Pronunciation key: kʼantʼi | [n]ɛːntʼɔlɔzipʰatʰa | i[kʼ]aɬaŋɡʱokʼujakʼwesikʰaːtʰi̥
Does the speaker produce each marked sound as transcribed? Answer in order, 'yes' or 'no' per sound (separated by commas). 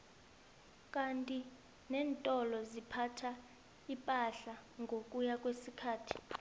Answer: yes, no